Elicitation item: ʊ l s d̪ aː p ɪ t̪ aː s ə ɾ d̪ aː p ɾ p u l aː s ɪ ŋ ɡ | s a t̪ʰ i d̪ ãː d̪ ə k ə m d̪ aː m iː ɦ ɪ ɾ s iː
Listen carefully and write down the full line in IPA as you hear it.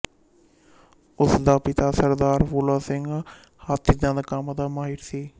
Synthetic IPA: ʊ s d̪ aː p ɪ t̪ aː s ə ɾ d̪ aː ɾ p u l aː s ɪ ŋ ɡ | h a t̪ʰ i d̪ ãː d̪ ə k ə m d̪ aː m aː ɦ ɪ ɾ s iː